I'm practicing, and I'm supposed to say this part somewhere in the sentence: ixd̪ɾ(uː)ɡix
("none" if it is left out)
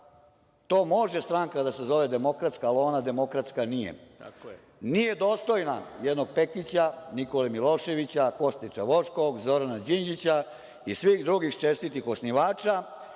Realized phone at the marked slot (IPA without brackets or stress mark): u